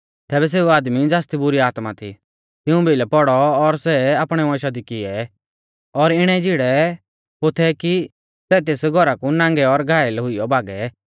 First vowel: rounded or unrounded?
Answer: unrounded